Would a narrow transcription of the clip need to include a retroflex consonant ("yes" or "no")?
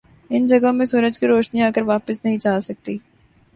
no